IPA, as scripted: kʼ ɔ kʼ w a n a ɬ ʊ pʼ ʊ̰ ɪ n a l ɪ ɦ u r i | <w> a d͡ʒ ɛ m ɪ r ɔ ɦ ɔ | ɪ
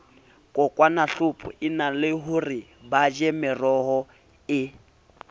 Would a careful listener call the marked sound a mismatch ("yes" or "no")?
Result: yes